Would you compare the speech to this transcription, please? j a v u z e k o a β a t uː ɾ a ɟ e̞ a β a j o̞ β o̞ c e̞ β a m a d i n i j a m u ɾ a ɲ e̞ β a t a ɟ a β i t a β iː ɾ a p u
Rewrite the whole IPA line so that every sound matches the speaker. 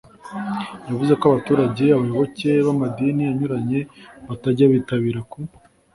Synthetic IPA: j a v u z e k o a β a t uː ɾ a ɟ e̞ a β a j o̞ β o̞ c e̞ β a m a d i n i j a ɲ u ɾ a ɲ e̞ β a t a ɟ a β i t a β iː ɾ a k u